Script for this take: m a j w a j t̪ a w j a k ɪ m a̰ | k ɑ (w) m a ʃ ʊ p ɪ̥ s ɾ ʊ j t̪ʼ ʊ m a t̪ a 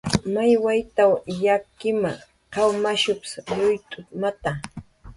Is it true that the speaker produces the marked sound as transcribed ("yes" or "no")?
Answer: yes